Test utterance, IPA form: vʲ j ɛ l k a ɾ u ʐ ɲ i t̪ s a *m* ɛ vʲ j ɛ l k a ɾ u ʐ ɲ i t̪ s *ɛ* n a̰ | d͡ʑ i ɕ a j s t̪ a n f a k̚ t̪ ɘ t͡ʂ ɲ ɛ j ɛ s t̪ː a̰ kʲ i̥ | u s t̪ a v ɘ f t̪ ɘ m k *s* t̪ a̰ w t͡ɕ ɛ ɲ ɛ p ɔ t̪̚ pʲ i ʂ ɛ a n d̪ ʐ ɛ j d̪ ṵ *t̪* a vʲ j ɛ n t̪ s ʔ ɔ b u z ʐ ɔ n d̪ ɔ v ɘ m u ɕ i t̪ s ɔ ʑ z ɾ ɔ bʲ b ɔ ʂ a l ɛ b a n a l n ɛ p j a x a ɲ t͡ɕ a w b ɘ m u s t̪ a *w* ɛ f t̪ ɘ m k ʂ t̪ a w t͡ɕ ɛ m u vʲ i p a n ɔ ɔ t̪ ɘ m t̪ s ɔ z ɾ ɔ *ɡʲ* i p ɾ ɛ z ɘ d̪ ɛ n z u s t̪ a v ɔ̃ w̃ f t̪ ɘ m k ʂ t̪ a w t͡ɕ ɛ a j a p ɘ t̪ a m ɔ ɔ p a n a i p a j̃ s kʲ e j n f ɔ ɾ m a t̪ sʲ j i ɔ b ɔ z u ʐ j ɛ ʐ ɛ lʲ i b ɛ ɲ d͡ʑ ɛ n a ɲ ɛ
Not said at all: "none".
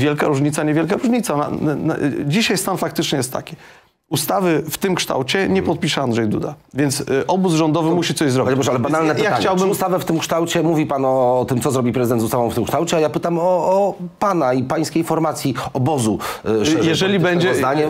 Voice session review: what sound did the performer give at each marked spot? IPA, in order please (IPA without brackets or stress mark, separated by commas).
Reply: ɲ, a, ʂ, d̪, v, bʲ